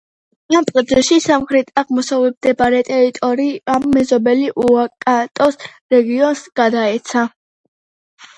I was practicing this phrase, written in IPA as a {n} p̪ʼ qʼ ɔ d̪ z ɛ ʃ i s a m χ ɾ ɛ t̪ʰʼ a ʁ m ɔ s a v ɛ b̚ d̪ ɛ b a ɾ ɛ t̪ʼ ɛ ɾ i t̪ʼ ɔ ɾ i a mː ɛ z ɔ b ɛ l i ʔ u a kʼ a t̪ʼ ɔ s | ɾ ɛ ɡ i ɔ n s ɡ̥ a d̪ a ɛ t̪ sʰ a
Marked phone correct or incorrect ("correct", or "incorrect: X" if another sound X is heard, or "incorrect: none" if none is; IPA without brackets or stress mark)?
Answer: incorrect: m